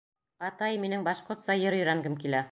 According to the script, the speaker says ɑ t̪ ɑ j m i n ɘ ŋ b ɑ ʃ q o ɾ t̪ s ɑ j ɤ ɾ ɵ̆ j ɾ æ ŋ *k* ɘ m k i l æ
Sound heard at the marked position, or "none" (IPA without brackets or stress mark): ɡ